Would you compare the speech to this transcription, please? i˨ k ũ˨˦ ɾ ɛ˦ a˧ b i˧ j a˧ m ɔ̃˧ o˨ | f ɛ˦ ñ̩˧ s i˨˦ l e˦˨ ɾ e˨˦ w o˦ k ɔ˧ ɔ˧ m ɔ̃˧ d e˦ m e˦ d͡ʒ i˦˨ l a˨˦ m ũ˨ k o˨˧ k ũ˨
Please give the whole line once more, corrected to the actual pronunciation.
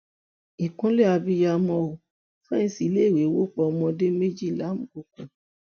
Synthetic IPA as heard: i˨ k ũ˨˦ l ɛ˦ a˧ b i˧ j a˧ m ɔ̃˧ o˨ | f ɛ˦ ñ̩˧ s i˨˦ l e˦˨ ɾ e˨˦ w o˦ k͡p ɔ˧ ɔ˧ m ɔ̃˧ d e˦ m e˦ d͡ʒ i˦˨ l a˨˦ m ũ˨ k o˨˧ k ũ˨